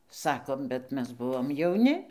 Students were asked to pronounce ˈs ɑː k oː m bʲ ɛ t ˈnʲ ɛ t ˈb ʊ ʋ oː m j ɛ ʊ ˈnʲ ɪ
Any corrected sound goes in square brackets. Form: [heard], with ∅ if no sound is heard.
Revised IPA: ˈs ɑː k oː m bʲ ɛ t [ˈmʲ] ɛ [s] ˈb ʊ ʋ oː m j ɛ ʊ ˈnʲ ɪ